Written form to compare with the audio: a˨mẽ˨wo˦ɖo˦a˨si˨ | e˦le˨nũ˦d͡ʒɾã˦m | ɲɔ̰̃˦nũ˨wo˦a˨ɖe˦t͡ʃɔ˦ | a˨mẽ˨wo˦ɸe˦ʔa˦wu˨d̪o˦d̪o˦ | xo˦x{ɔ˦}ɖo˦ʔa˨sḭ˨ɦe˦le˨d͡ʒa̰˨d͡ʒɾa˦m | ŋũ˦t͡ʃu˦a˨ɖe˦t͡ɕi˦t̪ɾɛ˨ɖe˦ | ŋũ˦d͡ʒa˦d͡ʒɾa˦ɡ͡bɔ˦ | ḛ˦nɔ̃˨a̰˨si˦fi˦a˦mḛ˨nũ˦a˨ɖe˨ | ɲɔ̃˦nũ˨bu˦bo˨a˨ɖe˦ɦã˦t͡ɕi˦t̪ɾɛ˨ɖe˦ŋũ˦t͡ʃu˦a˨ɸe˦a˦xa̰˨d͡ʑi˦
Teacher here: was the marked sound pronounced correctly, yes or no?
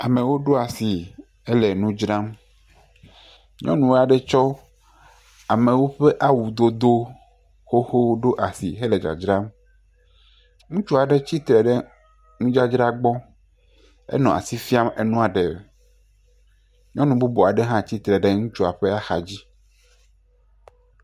no